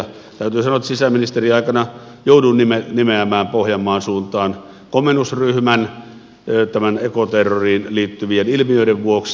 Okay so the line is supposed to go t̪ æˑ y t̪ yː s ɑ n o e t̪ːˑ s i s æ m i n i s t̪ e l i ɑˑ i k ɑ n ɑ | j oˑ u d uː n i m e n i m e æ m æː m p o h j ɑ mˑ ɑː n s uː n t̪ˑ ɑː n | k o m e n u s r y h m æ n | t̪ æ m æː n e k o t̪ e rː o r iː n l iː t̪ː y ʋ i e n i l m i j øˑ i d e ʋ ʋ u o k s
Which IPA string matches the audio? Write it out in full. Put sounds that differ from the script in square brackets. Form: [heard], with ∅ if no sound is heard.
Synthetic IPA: t̪ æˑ y t̪ yː s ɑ n o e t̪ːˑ s i s æ m i n i s t̪ e [r] i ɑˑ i k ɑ n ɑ | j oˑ u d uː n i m e n i m e æ m æː m p o h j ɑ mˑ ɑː n s uː n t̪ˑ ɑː n | k o m e n u s r y h m æ n | t̪ æ m [æ] n e k o t̪ e rː o r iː n l iː t̪ː y ʋ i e n i l m i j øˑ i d e ʋ ʋ u o k s